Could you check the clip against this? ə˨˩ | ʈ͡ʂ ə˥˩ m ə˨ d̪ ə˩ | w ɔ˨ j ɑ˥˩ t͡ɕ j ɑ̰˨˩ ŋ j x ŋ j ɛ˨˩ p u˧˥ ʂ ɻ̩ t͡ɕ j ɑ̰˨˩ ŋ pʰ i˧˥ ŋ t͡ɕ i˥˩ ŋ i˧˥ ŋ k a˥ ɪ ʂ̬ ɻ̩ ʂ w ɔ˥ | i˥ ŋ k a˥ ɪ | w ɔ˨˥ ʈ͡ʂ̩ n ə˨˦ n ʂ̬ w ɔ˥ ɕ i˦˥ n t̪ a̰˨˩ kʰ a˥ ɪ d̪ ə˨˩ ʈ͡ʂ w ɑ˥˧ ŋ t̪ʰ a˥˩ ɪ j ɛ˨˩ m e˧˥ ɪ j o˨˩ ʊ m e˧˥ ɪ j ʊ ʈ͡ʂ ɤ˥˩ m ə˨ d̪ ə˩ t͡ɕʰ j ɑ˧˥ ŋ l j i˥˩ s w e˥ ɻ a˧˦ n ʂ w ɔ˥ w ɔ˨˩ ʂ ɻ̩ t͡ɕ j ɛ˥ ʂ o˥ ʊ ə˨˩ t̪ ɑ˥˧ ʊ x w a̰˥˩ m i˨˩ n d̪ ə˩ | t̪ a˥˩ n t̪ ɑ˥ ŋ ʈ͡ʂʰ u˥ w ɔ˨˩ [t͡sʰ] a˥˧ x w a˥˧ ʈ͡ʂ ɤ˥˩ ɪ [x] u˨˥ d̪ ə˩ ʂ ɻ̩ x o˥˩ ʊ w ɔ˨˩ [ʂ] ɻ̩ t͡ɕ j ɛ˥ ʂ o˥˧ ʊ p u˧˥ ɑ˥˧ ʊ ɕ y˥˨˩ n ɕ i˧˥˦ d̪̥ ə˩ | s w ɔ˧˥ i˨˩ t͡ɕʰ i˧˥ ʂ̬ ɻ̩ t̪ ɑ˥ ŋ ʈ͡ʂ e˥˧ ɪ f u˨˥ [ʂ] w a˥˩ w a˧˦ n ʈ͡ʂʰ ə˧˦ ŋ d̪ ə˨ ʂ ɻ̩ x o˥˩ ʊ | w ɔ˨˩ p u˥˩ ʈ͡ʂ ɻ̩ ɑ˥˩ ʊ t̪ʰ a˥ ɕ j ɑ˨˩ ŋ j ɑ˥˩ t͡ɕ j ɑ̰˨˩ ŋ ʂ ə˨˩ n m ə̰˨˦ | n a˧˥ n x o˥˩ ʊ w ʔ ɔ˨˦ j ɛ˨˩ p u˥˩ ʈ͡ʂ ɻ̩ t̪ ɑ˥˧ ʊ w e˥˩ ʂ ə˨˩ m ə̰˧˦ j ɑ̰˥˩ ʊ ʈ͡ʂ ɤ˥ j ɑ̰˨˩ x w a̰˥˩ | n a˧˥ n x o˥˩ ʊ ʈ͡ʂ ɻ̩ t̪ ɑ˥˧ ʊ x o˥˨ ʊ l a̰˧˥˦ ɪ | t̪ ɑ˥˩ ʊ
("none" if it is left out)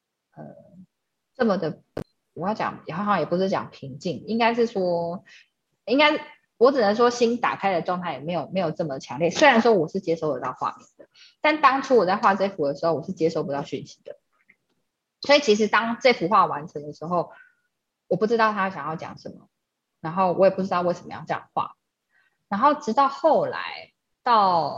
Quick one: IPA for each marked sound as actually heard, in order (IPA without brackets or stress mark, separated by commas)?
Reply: t͡s, f, ʂ, x